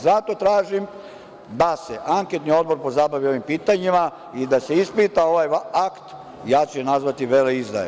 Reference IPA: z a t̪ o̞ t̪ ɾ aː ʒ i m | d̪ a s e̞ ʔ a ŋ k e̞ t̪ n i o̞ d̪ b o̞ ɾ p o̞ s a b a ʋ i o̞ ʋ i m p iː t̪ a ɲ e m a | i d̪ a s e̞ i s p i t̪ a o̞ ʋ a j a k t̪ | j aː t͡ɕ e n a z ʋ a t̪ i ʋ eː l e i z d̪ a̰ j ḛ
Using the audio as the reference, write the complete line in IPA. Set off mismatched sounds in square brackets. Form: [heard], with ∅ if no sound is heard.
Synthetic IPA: z a t̪ o̞ t̪ ɾ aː ʒ i m | d̪ a s e̞ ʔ a ŋ k e̞ t̪ n i o̞ d̪ b o̞ ɾ p o̞ [z] a b a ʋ i o̞ ʋ i m p iː t̪ a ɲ [i] m a | i d̪ a s e̞ i s p i t̪ a o̞ ʋ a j a k t̪ | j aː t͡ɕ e n a z ʋ a t̪ i ʋ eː l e i z d̪ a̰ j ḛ